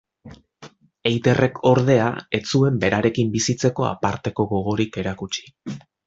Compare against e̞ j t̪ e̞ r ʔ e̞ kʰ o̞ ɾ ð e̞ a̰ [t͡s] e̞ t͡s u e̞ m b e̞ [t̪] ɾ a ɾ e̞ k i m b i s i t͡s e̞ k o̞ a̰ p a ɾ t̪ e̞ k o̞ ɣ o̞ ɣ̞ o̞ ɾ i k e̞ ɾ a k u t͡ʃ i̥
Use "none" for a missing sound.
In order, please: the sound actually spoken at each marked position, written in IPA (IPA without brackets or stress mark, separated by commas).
none, none